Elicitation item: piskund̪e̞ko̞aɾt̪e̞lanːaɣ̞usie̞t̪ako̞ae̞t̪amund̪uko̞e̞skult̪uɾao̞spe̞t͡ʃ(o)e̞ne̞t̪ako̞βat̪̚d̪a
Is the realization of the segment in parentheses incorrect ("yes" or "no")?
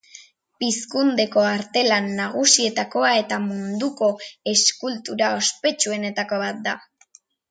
yes